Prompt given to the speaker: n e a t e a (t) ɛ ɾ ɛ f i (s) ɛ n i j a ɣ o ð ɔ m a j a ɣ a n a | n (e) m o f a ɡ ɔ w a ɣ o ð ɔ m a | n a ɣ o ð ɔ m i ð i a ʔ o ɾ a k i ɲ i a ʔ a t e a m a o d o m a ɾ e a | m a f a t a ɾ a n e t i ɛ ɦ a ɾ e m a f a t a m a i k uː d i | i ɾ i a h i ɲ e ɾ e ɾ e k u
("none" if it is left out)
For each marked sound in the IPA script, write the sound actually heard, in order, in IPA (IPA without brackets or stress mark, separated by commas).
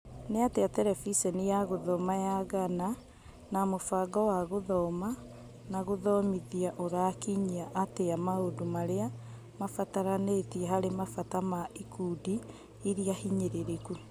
t, s, a